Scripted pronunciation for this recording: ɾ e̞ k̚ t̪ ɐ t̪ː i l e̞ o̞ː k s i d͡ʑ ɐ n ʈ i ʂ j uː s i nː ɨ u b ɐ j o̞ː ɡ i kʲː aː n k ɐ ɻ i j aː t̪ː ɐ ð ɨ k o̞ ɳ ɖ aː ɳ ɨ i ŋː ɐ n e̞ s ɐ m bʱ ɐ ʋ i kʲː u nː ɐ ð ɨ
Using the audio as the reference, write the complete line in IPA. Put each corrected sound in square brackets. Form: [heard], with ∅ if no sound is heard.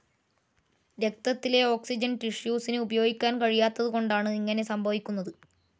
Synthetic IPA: ɾ e̞ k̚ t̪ ɐ t̪ː i l e̞ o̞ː k s i d͡ʑ ɐ n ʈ i ʂ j uː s i [n] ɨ u b ɐ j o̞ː ɡ i kʲː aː n k ɐ ɻ i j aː t̪ː ɐ ð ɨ k o̞ ɳ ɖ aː ɳ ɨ i ŋː ɐ n e̞ s ɐ m bʱ ɐ ʋ i kʲː u nː ɐ ð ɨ